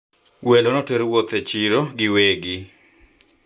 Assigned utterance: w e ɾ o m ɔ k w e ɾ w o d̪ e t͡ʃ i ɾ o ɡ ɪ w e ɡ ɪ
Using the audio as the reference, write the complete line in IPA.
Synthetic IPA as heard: w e l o n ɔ t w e ɾ w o t̪ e t͡ʃ i ɾ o ɡ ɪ w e ɡ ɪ